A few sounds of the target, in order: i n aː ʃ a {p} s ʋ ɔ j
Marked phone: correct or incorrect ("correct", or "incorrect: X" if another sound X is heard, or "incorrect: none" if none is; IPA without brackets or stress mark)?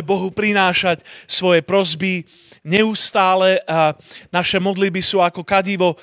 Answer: incorrect: c